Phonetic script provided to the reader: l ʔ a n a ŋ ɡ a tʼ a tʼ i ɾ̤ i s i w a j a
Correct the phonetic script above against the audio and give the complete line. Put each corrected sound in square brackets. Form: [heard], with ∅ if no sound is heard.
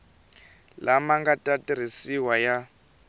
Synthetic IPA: l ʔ a [m] a ŋ ɡ a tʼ a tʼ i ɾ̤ i s i w a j a